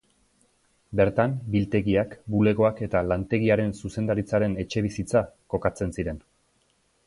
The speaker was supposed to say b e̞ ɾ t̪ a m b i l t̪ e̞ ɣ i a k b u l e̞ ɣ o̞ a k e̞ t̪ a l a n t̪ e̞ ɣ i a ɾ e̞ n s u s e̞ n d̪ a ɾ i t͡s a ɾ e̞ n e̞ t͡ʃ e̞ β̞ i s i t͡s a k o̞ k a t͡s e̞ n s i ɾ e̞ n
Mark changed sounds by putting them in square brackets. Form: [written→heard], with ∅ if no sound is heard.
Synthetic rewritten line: b e̞ ɾ t̪ a m b i l t̪ e̞ ɣ i a k b u l e̞ ɣ o̞ a k e̞ t̪ a l a n t̪ e̞ ɣ i a ɾ e̞ n s u s e̞ n d̪ a ɾ i t͡s a ɾ e̞ n e̞ t͡ʃ e̞ β̞ i s i t͡s a k o̞ k a t͡s e̞ n s i ɾ e̞ n